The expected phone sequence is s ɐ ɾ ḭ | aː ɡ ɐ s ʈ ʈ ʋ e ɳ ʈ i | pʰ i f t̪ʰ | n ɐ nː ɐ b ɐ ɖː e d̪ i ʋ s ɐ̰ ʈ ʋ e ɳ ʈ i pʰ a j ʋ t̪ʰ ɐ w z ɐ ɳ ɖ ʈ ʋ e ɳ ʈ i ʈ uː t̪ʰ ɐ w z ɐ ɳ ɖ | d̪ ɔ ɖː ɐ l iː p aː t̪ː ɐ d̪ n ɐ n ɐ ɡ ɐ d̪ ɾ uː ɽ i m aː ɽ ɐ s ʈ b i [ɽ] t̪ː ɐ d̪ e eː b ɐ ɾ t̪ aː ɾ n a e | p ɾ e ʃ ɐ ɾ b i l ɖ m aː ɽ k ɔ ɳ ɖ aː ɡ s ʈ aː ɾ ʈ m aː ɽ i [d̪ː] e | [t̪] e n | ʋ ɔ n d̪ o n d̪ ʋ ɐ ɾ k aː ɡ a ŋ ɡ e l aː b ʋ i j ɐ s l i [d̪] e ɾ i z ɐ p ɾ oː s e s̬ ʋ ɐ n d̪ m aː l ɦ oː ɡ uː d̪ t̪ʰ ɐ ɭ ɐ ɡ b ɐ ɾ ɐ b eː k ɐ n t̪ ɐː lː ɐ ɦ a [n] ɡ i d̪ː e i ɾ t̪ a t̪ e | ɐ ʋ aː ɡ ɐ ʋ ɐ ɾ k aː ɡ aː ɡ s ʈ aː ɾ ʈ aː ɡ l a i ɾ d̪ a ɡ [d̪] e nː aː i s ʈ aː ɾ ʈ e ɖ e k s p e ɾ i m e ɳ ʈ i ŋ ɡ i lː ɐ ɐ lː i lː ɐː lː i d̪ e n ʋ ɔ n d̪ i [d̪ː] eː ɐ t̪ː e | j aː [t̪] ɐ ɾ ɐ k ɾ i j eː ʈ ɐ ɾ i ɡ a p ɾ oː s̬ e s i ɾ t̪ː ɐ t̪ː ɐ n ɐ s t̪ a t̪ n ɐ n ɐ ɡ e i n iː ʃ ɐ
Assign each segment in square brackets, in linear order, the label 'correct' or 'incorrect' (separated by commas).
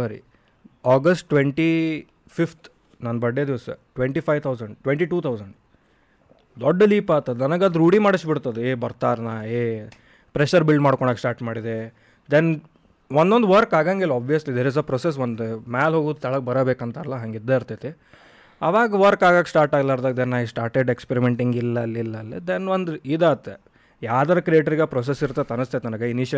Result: correct, incorrect, incorrect, correct, incorrect, correct, incorrect, incorrect